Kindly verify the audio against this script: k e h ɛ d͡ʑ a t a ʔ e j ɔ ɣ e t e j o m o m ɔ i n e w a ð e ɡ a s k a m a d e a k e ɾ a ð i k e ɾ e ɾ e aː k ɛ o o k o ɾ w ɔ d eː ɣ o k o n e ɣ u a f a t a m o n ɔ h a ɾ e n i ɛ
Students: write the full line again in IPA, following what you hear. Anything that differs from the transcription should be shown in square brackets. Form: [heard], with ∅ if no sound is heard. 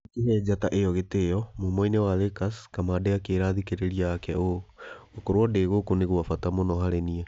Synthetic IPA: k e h ɛ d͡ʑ a t a ʔ e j ɔ ɣ e t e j [ɔ] m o m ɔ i n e w a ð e [k] a s k a m a d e a k e ɾ a ð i k e ɾ e ɾ [i] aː k ɛ o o k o ɾ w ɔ d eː ɣ o k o n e ɣ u a f a t a m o n ɔ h a ɾ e n i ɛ